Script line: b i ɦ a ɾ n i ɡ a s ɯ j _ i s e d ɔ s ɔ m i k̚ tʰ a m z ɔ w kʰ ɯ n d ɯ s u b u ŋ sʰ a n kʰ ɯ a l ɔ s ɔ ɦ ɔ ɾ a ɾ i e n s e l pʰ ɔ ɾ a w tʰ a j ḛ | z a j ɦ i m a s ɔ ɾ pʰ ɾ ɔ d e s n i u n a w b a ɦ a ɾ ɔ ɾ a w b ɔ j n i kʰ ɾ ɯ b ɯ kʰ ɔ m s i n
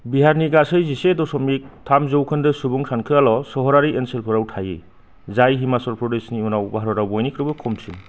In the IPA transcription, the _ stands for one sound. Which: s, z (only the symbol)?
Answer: z